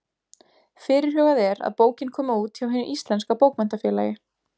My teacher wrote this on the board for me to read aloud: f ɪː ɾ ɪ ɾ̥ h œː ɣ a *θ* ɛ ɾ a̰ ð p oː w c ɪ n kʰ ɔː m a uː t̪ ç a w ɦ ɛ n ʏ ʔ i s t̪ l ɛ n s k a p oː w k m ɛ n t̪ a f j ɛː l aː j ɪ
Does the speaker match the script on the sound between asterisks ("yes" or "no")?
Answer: no